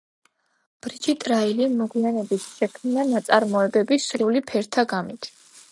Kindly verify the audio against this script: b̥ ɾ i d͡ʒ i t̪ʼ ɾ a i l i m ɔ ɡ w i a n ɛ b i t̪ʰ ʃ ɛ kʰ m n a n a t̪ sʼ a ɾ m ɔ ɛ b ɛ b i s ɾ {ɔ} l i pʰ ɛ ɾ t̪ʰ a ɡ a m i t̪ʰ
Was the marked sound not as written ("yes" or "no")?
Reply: yes